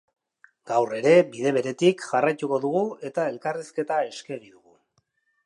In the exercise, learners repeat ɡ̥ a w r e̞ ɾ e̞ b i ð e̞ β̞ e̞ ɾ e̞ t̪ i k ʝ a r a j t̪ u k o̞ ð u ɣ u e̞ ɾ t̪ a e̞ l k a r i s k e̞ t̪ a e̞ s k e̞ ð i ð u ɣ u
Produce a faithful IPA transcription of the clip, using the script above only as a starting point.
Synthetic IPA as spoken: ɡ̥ a w r e̞ ɾ e̞ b i ð e̞ β̞ e̞ ɾ e̞ t̪ i k ʝ a r a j t̪ u k o̞ ð u ɣ u e̞ t̪ a e̞ l k a r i s k e̞ t̪ a e̞ s k e̞ ɣ i ð u ɣ u